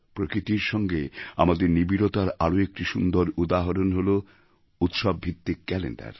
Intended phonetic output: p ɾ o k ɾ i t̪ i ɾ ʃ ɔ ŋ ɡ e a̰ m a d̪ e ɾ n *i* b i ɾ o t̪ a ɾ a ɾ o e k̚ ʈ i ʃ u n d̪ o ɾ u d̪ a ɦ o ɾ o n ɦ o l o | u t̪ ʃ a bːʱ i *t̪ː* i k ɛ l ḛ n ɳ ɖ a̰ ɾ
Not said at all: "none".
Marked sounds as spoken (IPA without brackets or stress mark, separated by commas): i, t̪ː